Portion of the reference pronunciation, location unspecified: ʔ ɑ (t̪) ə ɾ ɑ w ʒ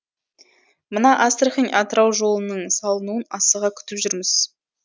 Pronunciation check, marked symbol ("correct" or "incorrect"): correct